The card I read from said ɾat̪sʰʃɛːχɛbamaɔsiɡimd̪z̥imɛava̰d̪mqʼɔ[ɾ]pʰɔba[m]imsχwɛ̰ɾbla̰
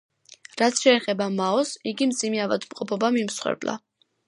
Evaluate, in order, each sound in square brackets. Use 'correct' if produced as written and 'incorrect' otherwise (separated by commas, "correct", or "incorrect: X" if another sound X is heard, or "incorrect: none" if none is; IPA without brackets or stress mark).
incorrect: none, correct